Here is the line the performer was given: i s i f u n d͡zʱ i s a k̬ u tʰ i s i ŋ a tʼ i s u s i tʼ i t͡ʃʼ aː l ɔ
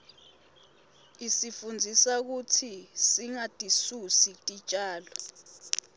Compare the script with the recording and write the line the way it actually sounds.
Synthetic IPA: i s i f u n d͡zʱ i s a k̬ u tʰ i s i ŋ a tʼ i s u s i tʼ i t͡ʃʼ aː l ɔ